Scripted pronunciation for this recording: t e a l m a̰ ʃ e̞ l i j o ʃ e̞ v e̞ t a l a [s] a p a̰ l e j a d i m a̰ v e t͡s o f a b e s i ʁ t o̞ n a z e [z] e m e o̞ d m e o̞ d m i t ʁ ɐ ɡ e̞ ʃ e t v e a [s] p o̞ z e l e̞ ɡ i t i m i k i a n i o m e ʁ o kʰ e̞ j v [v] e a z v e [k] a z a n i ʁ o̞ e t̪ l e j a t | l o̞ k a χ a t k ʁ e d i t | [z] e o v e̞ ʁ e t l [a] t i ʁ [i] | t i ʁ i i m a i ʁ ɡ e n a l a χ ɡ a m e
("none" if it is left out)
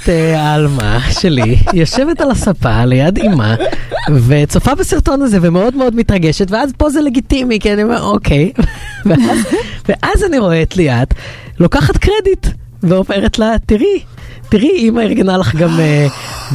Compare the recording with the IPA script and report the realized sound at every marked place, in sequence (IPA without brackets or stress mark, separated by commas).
s, v, z, v, ʔ, v, a, i